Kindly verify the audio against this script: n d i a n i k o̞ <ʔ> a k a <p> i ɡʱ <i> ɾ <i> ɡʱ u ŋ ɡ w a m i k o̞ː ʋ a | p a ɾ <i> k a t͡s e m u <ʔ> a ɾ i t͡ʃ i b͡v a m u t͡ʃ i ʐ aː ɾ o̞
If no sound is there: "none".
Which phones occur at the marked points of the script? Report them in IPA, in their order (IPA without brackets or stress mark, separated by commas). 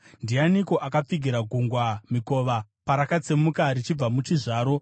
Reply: ʔ, p͡f, i, a, a, k